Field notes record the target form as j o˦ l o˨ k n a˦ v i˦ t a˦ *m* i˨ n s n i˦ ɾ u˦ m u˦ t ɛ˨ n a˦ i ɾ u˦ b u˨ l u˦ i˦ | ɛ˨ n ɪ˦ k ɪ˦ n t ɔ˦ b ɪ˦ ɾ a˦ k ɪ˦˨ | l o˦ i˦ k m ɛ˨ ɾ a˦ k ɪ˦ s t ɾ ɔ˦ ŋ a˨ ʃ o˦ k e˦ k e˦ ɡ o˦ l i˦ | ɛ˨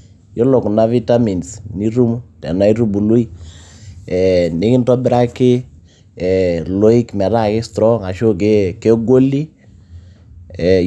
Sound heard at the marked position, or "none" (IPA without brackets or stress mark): m